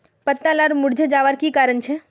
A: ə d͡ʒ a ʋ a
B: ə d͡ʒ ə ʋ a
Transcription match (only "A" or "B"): A